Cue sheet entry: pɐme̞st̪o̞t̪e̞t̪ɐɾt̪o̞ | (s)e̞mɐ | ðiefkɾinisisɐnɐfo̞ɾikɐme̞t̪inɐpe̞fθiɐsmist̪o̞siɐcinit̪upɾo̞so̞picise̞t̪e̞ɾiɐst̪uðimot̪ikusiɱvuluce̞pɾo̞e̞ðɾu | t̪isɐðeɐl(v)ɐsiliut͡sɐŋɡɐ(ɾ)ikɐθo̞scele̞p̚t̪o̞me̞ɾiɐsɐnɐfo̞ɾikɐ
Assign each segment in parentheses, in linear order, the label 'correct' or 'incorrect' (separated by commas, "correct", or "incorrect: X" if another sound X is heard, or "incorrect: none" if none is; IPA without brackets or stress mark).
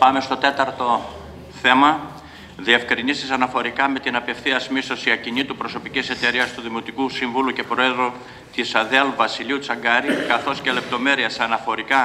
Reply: incorrect: θ, correct, correct